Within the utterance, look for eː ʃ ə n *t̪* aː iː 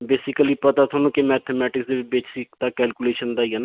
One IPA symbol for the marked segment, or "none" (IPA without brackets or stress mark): d̪